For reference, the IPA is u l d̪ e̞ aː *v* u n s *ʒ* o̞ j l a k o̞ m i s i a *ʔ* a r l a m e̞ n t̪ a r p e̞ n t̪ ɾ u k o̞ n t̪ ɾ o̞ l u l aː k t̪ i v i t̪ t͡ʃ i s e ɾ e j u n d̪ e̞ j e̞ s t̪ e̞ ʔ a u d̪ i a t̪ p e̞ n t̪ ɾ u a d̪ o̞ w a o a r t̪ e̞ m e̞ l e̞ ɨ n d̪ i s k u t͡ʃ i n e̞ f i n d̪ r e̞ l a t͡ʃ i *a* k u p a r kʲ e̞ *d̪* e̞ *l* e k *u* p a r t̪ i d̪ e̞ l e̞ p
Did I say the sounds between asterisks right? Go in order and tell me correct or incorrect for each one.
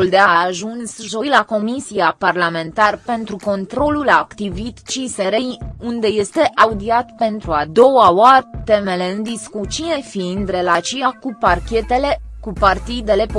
incorrect: ʒ, correct, incorrect: p, correct, incorrect: t̪, correct, correct

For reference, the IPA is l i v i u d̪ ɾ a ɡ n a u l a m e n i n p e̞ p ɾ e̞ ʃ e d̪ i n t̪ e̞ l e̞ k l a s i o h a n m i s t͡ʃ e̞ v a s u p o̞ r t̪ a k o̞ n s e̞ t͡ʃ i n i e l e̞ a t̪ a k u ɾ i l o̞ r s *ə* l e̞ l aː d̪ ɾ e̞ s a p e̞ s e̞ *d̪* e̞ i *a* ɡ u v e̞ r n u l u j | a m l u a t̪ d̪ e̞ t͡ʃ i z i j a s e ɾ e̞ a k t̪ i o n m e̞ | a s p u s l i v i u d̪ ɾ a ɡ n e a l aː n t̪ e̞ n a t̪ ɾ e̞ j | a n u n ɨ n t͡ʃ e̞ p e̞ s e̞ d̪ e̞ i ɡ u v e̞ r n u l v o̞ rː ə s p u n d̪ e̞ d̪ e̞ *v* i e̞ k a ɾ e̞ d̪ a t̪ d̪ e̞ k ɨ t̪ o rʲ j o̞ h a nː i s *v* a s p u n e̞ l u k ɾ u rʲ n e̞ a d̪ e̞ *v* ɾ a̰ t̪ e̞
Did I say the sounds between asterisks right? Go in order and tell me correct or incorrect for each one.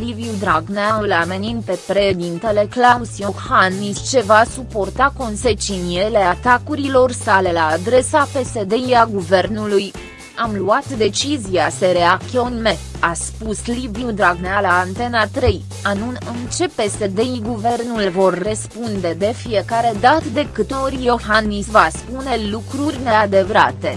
incorrect: a, correct, correct, incorrect: f, correct, correct

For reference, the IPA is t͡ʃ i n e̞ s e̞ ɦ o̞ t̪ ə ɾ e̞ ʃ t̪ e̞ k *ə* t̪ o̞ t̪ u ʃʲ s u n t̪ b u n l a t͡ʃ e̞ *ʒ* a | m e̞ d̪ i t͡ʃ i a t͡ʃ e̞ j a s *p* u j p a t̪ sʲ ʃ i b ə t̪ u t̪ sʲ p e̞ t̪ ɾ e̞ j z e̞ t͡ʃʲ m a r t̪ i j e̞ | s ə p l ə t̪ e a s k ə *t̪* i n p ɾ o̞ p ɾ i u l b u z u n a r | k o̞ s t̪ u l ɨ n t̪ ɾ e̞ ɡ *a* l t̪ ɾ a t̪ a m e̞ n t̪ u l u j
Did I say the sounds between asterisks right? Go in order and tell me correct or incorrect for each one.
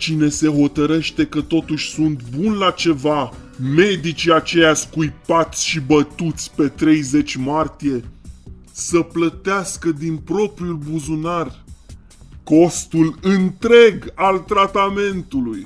correct, incorrect: v, incorrect: k, incorrect: d̪, correct

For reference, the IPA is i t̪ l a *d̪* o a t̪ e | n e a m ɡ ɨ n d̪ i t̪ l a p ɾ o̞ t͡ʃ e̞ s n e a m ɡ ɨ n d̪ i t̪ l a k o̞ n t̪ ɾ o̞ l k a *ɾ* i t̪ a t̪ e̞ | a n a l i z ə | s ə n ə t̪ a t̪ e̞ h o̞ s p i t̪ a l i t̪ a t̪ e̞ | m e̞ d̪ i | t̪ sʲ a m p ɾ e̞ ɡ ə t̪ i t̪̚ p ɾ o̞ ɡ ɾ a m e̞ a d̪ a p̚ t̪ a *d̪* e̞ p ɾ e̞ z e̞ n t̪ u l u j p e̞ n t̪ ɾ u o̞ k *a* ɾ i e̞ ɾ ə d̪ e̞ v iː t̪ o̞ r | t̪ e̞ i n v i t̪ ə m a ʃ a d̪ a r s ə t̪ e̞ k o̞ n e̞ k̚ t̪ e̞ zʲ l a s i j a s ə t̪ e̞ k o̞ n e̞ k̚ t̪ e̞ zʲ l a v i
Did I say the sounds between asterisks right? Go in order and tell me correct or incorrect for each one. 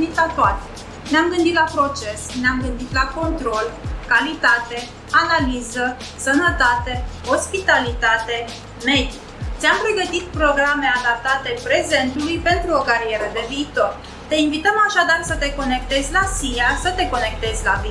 incorrect: t̪, incorrect: l, incorrect: t̪, correct

